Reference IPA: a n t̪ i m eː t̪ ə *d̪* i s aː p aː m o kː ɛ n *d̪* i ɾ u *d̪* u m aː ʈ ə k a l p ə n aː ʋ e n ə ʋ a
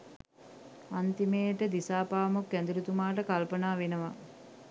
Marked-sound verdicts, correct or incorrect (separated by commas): correct, correct, incorrect